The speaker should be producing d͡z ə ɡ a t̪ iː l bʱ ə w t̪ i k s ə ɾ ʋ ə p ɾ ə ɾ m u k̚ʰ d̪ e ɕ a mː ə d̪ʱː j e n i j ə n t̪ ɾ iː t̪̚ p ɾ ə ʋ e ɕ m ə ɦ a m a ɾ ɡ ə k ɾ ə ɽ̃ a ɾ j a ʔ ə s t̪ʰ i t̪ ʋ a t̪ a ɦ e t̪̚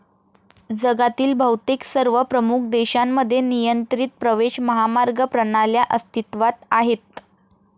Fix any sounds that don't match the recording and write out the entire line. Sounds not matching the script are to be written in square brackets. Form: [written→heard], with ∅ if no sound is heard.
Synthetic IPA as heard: d͡z ə ɡ a t̪ iː l bʱ ə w t̪ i k s ə ɾ ʋ ə p ɾ ə [ɾ→∅] m u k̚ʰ d̪ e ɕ a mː ə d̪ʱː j e n i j ə n t̪ ɾ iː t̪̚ p ɾ ə ʋ e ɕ m ə ɦ a m a ɾ ɡ ə [k→p] ɾ ə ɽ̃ a [ɾ→l] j a ʔ ə s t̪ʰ i t̪ ʋ a t̪ a ɦ e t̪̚